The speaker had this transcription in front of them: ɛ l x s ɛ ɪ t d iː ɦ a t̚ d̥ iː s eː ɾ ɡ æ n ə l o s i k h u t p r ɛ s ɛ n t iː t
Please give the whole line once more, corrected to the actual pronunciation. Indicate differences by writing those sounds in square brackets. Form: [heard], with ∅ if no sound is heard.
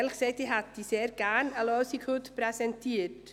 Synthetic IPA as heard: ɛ l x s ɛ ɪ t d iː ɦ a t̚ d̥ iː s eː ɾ ɡ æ n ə l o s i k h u t p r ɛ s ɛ n t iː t